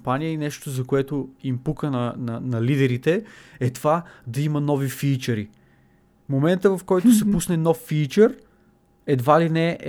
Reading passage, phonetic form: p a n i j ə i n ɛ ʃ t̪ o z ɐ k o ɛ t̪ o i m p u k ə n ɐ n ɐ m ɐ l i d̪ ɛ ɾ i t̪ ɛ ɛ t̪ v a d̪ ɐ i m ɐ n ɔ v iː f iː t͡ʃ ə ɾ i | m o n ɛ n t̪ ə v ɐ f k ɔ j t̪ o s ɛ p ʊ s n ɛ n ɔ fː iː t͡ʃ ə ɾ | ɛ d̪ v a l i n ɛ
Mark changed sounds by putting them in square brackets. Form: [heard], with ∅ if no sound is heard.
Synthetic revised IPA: p a n i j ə i n ɛ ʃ t̪ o z ɐ k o ɛ t̪ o i m p u k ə n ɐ n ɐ [n] ɐ l i d̪ ɛ ɾ i t̪ ɛ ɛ t̪ v a d̪ ɐ i m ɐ n ɔ v [i] f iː t͡ʃ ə ɾ i | m o [m] ɛ n t̪ ə v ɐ f k ɔ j t̪ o s ɛ p [u] s n ɛ n ɔ fː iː t͡ʃ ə ɾ | ɛ d̪ v a l i n ɛ